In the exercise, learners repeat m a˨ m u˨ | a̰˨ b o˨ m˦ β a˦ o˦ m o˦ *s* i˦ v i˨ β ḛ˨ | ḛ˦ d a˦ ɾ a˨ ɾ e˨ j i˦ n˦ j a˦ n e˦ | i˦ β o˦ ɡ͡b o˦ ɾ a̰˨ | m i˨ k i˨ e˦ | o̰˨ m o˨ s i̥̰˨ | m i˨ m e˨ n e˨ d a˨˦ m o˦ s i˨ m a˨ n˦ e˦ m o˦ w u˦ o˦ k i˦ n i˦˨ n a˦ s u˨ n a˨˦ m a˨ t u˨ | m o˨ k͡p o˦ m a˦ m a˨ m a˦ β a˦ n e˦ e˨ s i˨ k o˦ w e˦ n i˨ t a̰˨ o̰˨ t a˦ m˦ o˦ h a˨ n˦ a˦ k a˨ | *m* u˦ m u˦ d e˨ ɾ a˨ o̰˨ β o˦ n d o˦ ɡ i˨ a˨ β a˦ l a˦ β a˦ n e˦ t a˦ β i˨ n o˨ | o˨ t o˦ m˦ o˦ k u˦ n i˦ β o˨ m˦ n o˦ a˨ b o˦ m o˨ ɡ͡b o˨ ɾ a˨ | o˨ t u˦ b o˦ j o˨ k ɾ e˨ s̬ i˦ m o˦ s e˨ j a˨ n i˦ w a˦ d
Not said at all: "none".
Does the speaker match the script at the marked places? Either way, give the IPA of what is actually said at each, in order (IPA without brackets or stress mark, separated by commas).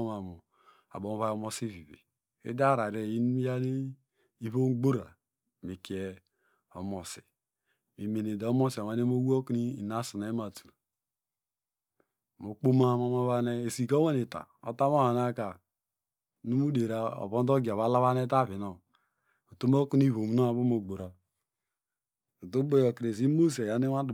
s, n